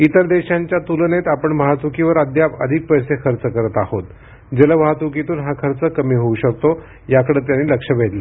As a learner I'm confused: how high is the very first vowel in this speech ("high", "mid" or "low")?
high